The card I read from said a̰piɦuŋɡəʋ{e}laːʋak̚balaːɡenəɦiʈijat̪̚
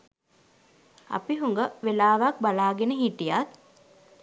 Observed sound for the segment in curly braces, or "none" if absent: e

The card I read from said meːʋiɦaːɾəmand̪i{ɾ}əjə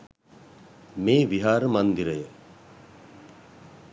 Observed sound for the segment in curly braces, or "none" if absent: ɾ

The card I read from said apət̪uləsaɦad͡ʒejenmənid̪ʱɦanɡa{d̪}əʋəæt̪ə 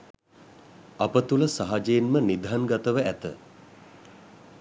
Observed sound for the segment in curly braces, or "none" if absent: t̪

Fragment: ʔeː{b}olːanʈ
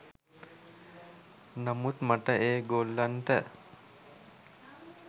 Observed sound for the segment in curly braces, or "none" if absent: ɡ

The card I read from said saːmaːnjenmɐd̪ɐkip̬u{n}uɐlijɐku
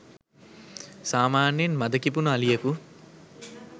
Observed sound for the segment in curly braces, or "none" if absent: n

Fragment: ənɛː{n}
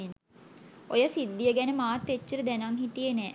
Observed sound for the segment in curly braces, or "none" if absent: none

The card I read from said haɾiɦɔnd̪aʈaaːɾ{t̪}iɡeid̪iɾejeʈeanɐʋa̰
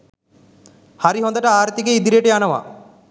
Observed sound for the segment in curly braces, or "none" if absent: t̪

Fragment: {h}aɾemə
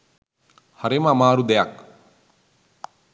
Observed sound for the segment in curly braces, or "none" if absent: h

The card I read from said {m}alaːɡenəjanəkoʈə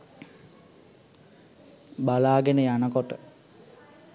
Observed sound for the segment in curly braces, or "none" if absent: b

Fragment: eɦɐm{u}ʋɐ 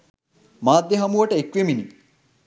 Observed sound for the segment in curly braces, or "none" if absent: u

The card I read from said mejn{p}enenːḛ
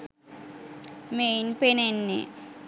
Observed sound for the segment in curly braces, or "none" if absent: p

